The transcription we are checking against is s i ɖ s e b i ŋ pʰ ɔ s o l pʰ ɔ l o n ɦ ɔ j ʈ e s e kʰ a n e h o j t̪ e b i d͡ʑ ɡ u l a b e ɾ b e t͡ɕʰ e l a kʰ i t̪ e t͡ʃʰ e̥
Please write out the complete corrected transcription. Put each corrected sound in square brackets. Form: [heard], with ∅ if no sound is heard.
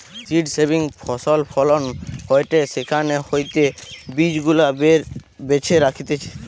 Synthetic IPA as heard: s i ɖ s e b i ŋ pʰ ɔ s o l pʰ ɔ l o n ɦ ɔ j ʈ e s e kʰ a n e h o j t̪ e b i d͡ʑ ɡ u l a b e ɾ b e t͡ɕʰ e [ɾ] a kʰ i t̪ e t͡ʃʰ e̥